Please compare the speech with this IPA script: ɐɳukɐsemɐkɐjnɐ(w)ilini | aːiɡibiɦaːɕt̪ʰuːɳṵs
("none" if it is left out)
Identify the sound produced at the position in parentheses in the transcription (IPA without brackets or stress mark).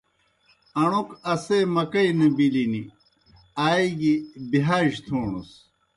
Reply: b